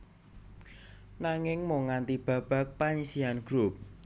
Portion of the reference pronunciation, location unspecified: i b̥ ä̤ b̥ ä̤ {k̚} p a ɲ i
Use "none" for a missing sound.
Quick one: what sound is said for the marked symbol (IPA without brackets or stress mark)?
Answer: k̚